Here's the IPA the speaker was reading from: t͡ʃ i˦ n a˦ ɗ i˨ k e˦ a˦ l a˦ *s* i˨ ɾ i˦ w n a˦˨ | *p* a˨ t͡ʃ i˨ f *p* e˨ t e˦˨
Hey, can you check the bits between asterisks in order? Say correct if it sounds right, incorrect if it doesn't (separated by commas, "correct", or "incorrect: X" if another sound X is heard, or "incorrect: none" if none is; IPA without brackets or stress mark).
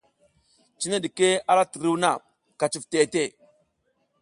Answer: incorrect: t, incorrect: k, incorrect: t